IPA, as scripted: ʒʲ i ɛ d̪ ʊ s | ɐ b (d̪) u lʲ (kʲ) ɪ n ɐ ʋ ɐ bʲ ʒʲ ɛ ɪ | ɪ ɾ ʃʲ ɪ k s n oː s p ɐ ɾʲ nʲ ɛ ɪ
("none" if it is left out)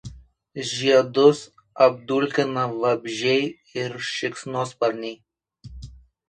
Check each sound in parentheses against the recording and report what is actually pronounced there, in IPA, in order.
d̪, kʲ

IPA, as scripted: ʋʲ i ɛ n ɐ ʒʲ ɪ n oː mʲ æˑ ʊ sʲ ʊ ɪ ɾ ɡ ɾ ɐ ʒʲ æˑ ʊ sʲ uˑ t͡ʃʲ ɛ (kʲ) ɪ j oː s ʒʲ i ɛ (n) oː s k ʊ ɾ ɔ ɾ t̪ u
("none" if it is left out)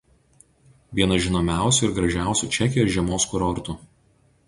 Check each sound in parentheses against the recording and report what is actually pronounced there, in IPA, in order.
kʲ, m

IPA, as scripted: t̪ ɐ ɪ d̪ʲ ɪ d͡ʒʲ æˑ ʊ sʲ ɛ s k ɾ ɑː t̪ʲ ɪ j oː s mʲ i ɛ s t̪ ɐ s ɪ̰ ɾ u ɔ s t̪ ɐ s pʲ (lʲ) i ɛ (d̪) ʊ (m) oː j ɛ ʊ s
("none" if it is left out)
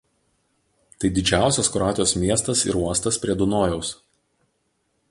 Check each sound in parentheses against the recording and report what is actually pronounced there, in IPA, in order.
ɾʲ, d̪, n

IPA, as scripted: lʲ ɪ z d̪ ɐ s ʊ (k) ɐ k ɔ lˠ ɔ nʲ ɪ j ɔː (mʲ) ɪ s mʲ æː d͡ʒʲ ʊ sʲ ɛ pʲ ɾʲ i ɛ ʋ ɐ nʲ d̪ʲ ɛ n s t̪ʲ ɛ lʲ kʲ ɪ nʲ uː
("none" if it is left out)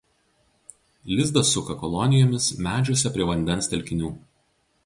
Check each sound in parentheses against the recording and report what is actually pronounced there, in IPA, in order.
k, mʲ

